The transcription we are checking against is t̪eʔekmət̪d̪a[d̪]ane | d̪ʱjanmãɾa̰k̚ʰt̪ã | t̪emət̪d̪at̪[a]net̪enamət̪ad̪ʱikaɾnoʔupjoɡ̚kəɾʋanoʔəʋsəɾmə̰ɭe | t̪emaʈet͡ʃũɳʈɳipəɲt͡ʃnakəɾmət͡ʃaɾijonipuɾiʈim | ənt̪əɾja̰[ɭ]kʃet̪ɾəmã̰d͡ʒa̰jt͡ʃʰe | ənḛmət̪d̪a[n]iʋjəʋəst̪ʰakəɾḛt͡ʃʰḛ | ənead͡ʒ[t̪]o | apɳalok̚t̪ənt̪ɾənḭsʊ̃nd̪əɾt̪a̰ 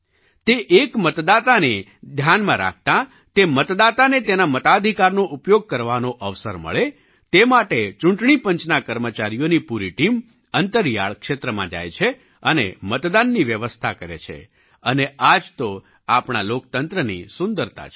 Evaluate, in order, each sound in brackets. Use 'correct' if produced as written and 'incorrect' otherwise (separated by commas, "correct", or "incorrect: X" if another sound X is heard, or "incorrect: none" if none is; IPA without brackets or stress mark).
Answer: incorrect: t̪, correct, correct, incorrect: nː, correct